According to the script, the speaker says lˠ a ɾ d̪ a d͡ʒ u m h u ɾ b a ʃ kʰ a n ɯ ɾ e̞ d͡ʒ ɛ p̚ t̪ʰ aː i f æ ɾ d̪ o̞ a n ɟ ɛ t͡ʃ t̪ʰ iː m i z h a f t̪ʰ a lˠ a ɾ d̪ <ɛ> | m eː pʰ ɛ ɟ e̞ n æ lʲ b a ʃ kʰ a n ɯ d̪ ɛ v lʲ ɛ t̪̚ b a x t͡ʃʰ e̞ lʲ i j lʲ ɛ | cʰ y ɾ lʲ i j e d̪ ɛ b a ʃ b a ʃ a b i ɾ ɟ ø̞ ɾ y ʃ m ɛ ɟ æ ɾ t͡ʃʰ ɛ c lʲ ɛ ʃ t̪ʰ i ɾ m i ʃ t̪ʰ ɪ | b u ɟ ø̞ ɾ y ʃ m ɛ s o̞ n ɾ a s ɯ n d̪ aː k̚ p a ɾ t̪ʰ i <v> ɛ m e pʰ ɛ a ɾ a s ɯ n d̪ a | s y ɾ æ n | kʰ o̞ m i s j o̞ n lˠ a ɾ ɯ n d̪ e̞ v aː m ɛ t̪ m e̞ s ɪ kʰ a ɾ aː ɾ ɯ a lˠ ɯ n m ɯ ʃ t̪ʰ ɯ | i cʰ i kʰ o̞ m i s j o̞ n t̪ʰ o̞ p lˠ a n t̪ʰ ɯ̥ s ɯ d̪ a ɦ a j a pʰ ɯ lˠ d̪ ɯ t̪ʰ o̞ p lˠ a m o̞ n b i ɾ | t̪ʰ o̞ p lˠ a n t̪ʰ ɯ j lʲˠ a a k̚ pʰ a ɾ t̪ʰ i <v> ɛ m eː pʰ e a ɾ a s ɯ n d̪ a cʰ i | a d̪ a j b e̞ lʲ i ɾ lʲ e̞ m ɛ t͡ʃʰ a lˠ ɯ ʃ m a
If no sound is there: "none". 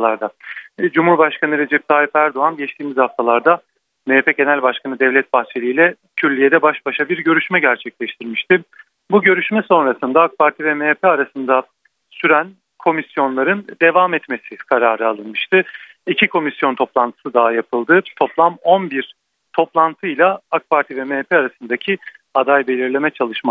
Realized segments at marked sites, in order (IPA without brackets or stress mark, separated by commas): a, v, v